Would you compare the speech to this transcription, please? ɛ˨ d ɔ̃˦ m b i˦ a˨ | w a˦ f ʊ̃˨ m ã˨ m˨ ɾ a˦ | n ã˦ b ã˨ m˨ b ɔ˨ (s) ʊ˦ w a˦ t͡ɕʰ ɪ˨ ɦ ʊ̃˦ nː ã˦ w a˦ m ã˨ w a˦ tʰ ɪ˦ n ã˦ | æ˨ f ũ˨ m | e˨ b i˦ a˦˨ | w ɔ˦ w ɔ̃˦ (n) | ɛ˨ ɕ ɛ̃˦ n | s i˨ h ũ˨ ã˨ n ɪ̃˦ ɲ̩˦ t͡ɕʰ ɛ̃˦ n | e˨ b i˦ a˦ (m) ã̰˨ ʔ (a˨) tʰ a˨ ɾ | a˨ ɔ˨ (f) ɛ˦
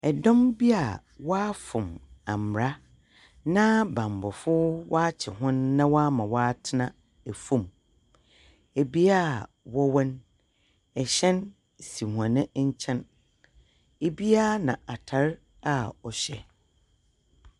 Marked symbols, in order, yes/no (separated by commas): no, yes, no, yes, no